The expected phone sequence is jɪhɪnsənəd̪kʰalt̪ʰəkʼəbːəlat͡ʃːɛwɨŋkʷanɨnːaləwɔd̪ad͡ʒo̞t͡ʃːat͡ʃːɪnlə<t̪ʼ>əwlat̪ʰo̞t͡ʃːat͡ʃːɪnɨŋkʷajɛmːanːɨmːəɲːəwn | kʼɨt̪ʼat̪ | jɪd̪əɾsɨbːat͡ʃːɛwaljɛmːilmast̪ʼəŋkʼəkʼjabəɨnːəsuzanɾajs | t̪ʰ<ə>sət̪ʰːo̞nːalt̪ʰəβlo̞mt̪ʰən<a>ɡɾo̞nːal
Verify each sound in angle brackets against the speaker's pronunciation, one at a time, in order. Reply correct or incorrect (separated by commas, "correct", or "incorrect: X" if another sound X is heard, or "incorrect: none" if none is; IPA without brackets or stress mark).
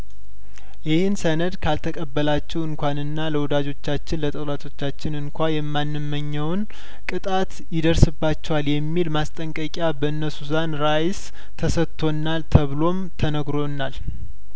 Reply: correct, correct, incorrect: ə